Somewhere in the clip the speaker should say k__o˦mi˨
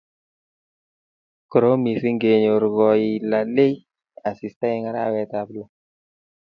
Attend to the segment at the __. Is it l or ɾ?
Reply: ɾ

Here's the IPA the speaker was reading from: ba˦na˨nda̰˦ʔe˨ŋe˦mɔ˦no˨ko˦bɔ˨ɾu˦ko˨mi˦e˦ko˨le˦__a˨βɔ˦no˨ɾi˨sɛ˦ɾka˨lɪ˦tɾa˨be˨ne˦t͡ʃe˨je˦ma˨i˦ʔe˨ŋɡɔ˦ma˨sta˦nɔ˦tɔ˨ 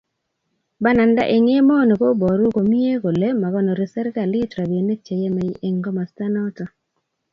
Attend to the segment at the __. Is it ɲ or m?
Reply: m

